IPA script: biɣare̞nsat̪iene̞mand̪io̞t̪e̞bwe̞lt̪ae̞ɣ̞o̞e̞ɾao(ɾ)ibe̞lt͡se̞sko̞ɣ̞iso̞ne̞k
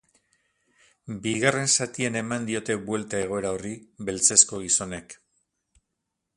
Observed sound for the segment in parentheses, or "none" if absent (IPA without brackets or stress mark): r